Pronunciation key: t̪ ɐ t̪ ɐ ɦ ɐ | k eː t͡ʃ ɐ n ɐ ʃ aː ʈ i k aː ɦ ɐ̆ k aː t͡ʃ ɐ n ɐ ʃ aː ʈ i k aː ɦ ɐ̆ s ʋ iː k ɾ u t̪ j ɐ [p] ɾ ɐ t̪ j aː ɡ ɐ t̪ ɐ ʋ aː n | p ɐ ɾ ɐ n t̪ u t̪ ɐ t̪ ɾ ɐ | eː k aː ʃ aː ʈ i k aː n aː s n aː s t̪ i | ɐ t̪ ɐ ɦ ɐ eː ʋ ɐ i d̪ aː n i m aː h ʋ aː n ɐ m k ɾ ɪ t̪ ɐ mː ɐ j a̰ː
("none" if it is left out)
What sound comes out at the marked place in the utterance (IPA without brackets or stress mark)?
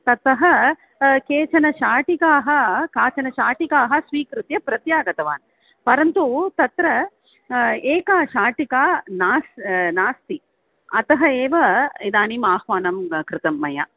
p